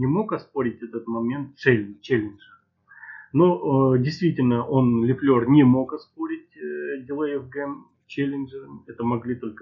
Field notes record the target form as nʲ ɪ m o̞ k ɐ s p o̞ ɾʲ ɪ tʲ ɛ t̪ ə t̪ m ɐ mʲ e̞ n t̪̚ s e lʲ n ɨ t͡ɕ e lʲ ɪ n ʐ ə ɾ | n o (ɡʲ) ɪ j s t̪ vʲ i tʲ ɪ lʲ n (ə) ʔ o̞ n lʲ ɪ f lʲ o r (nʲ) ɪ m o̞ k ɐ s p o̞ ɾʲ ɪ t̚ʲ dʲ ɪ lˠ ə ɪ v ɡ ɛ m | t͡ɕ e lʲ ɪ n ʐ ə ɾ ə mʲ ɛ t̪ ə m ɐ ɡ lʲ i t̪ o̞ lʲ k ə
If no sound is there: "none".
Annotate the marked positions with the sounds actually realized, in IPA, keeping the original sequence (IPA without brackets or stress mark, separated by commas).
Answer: dʲ, ə, nʲ